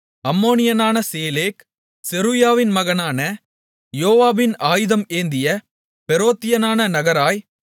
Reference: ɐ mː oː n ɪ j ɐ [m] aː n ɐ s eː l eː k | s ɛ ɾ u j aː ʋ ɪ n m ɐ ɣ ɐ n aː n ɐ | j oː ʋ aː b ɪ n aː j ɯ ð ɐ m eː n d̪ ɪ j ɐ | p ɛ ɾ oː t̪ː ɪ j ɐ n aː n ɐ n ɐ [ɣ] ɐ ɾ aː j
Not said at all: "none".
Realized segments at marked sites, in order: n, ɣ

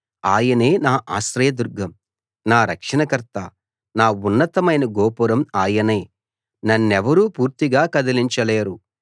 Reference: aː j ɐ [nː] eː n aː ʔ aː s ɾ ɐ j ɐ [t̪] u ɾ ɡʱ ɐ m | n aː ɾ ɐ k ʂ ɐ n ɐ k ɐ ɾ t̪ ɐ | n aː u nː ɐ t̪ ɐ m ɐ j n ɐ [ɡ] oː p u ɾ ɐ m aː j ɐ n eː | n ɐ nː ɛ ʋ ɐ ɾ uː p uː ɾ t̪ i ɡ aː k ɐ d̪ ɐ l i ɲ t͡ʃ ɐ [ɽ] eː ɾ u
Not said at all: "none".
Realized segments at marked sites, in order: n, d̪, ɡ, l

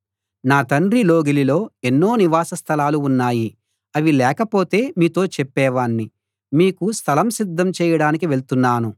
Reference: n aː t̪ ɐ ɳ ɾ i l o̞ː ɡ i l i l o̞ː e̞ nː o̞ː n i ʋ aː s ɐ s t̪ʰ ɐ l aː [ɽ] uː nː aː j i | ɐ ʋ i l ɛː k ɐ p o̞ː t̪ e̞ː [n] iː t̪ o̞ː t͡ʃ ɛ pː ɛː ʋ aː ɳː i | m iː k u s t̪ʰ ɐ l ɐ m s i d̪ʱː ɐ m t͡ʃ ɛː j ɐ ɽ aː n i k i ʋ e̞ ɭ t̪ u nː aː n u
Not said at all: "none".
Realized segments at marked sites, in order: l, m

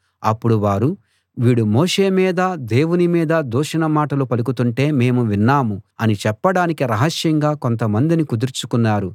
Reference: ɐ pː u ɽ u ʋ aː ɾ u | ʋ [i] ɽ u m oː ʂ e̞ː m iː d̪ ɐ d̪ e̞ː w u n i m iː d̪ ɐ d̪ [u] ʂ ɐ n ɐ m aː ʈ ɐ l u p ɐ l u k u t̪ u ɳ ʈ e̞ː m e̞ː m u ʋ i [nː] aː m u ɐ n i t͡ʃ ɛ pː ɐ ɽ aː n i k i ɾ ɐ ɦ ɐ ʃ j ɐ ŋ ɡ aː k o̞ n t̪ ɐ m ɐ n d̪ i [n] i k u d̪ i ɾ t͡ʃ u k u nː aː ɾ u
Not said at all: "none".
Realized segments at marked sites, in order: iː, uː, nː, n

